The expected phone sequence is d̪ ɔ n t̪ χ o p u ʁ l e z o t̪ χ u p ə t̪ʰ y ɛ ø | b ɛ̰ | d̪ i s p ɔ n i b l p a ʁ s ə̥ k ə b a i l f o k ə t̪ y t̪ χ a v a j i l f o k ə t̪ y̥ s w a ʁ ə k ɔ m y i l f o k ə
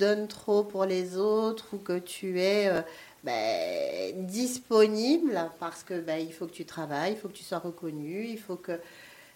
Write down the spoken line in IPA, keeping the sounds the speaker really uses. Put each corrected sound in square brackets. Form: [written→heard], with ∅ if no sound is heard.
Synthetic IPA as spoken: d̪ ɔ n t̪ χ o p u ʁ l e z o t̪ χ u [p→k] ə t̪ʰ y ɛ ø | b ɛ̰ | d̪ i s p ɔ n i b l p a ʁ s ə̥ k ə b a i l f o k ə t̪ y t̪ χ a v a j i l f o k ə t̪ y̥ s w a ʁ ə k ɔ [m→n] y i l f o k ə